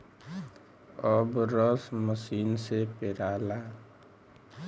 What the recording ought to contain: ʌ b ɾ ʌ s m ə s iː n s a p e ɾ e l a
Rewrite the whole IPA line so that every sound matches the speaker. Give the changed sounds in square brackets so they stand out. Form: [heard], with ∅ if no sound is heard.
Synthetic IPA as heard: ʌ b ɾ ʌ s m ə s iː n s [e] p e ɾ [a] l a